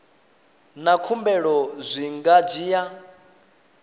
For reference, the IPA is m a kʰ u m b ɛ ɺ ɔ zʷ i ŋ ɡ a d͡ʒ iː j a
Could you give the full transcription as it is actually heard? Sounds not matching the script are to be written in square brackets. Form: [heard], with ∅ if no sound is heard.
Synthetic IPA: [n] a kʰ u m b ɛ ɺ ɔ zʷ i ŋ ɡ a d͡ʒ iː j a